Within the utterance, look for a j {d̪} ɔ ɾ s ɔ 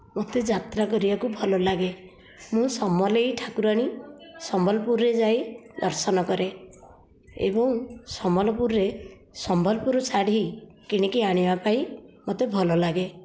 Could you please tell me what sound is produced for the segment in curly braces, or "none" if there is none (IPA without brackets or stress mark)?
d̪